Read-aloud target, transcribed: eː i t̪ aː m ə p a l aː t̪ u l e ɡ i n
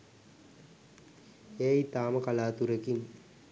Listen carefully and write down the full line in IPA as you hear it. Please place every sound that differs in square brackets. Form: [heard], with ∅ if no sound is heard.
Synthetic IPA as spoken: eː i t̪ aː m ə [k] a l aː t̪ u [ɾ] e [k] i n